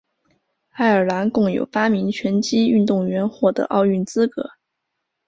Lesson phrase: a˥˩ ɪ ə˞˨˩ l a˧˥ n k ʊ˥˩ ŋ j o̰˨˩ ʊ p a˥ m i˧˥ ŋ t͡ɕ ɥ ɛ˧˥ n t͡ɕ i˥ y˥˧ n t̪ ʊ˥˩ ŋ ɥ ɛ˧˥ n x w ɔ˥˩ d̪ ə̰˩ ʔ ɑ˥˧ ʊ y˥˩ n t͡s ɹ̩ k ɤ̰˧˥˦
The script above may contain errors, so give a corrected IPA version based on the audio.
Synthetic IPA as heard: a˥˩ ɪ ə˞˨˩ l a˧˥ n k ʊ˥˩ ŋ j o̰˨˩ ʊ p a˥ m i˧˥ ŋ t͡ɕʰ ɥ ɛ˧˥ n t͡ɕ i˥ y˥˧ n t̪ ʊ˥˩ ŋ ɥ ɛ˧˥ n x w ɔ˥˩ d̪ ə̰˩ ʔ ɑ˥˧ ʊ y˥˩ n t͡s ɹ̩ k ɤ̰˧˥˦